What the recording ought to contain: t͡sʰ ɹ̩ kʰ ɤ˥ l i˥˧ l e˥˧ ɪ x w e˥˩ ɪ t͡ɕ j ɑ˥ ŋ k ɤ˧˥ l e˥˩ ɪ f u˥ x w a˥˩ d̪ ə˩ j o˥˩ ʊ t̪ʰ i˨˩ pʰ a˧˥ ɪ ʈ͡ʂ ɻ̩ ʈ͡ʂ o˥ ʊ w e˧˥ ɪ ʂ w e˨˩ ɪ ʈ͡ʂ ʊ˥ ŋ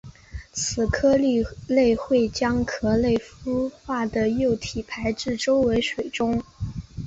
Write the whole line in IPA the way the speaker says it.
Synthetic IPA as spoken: t͡sʰ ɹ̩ kʰ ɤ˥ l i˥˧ l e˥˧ ɪ x w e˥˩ ɪ t͡ɕ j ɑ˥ ŋ kʰ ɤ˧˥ l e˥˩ ɪ f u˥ x w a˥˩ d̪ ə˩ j o˥˩ ʊ t̪ʰ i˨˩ pʰ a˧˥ ɪ ʈ͡ʂ ɻ̩ ʈ͡ʂ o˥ ʊ w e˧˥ ɪ ʂ w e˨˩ ɪ ʈ͡ʂ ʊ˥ ŋ